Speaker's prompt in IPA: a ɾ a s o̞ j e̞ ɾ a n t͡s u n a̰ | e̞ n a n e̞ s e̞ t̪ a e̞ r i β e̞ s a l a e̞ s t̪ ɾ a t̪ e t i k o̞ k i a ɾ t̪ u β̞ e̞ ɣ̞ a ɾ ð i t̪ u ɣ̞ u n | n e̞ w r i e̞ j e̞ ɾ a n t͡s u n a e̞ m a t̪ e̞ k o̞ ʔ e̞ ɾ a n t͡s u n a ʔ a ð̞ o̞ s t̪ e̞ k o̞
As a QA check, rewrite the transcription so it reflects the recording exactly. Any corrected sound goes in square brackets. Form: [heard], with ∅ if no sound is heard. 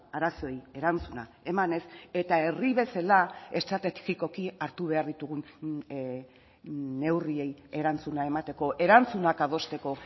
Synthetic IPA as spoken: a ɾ a s o̞ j e̞ ɾ a n t͡s u n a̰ | e̞ [m] a n e̞ s e̞ t̪ a e̞ r i β e̞ s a l a e̞ s t̪ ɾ a t̪ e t i k o̞ k i a ɾ t̪ u β̞ e̞ [∅] a ɾ ð i t̪ u ɣ̞ u n | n e̞ w r i e̞ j e̞ ɾ a n t͡s u n a e̞ m a t̪ e̞ k o̞ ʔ e̞ ɾ a n t͡s u n a [k] a ð̞ o̞ s t̪ e̞ k o̞

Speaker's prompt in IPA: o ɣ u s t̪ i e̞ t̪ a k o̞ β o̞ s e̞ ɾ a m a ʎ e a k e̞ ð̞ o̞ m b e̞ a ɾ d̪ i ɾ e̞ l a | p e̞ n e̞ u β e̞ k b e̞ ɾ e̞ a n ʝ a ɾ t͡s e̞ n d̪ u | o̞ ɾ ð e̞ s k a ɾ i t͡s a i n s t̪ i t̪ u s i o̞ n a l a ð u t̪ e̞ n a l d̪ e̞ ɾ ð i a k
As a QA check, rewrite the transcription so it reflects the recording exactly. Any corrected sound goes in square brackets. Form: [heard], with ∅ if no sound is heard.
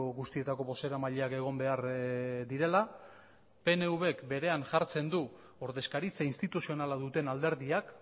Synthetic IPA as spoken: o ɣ u s t̪ i e̞ t̪ a k o̞ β o̞ s e̞ ɾ a m a ʎ e a k e̞ [ɣ̞] o̞ m b e̞ a ɾ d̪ i ɾ e̞ l a | p e̞ n e̞ u β e̞ k b e̞ ɾ e̞ a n ʝ a ɾ t͡s e̞ n d̪ u | o̞ ɾ ð e̞ s k a ɾ i t͡s a i n s t̪ i t̪ u s i o̞ n a l a ð u t̪ e̞ n a l d̪ e̞ ɾ ð i a k

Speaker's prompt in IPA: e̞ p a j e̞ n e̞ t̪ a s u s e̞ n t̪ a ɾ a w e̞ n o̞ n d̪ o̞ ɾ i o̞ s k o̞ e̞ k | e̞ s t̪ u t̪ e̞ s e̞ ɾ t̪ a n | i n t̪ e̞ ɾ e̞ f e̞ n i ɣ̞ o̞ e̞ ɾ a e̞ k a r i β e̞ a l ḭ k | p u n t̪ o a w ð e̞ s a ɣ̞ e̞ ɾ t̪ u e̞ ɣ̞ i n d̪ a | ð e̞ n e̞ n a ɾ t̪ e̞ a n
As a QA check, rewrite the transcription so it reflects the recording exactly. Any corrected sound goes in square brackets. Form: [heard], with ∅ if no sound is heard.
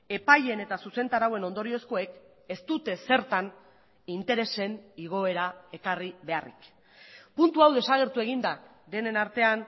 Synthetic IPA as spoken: e̞ p a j e̞ n e̞ t̪ a s u s e̞ n t̪ a ɾ a w e̞ n o̞ n d̪ o̞ ɾ i o̞ s k o̞ e̞ k | e̞ s t̪ u t̪ e̞ s e̞ ɾ t̪ a n | i n t̪ e̞ ɾ e̞ [s] e̞ n i ɣ̞ o̞ e̞ ɾ a e̞ k a r i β e̞ a [r] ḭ k | p u n t̪ [u] a w ð e̞ s a ɣ̞ e̞ ɾ t̪ u e̞ ɣ̞ i n d̪ a | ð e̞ n e̞ n a ɾ t̪ e̞ a n

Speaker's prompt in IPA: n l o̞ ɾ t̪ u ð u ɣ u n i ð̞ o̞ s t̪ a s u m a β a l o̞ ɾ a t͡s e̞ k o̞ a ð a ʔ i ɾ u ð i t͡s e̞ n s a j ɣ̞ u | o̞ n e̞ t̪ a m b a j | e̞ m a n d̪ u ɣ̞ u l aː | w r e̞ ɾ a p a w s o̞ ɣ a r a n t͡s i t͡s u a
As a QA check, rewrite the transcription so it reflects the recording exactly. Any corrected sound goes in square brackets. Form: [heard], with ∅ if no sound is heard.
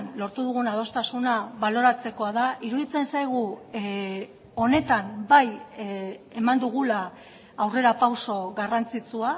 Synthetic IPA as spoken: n l o̞ ɾ t̪ u ð u ɣ u n [a] ð̞ o̞ s t̪ a s u [n] a β a l o̞ ɾ a t͡s e̞ k o̞ a ð a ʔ i ɾ u ð i t͡s e̞ n s a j ɣ̞ u | o̞ n e̞ t̪ a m b a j | e̞ m a n d̪ u ɣ̞ u l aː | w r e̞ ɾ a p a w s o̞ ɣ a r a n t͡s i t͡s u a

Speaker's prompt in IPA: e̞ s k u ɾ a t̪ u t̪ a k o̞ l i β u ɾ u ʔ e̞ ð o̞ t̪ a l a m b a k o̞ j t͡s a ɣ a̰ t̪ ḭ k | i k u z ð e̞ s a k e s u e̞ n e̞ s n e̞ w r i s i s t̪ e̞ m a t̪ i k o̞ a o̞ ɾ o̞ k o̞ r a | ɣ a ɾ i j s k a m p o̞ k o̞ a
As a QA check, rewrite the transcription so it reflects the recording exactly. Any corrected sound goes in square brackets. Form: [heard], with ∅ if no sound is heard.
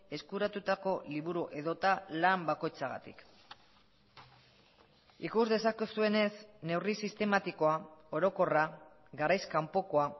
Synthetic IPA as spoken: e̞ s k u ɾ a t̪ u t̪ a k o̞ l i β u ɾ u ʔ e̞ ð o̞ t̪ a l a m b a k o̞ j t͡s a ɣ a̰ t̪ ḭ k | i k u z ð e̞ s a k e s u e̞ n e̞ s n e̞ w r i s i s t̪ e̞ m a t̪ i k o̞ a o̞ ɾ o̞ k o̞ r a | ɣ a ɾ [a] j s k a m p o̞ k o̞ a

